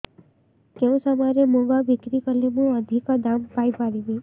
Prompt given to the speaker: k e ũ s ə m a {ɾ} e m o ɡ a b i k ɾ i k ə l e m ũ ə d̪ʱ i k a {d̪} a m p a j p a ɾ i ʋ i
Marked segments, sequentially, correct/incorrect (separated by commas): correct, correct